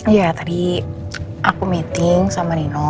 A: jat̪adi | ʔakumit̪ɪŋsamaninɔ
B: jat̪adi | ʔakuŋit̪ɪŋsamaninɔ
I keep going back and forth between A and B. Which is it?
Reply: A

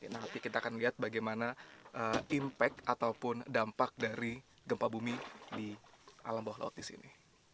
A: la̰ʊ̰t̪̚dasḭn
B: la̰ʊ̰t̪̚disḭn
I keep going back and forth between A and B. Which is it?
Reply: B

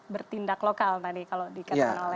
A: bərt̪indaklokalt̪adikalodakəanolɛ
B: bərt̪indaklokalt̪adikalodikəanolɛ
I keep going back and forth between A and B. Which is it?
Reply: B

